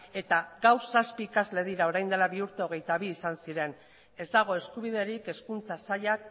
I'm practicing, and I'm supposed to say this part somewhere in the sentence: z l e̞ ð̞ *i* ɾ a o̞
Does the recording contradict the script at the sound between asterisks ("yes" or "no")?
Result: no